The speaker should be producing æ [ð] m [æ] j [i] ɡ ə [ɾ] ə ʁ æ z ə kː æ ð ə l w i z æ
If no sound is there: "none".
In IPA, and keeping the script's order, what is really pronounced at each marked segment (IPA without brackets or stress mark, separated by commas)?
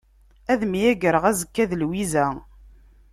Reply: ð, i, æ, ɾ